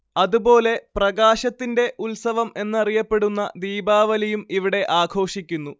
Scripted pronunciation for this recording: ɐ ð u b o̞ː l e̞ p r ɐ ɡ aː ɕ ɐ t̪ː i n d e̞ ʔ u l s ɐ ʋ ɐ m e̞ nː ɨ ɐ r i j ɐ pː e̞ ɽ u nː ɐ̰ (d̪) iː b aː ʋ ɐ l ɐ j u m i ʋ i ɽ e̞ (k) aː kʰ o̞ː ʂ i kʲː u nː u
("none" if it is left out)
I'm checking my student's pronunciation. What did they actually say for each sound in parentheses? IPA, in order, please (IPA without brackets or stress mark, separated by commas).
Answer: d̪, ʔ